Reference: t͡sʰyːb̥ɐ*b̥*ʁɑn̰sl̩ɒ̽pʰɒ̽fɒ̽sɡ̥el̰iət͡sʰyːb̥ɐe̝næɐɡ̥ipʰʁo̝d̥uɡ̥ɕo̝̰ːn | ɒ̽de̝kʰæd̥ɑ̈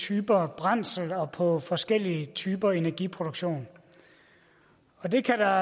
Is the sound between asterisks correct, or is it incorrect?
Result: correct